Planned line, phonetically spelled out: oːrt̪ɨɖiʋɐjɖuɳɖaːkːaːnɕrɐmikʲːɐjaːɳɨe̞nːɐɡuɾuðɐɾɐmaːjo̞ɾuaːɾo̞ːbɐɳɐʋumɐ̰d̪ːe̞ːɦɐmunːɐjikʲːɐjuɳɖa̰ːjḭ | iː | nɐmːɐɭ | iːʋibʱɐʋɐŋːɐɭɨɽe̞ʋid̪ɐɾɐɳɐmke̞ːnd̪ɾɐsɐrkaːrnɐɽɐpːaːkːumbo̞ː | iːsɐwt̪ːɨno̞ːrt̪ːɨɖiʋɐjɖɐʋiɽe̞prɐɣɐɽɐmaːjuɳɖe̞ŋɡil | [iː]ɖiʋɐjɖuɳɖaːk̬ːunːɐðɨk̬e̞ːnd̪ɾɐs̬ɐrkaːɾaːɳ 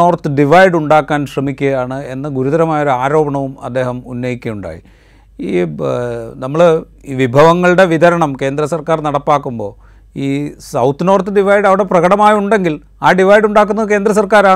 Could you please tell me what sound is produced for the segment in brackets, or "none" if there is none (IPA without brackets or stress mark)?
aː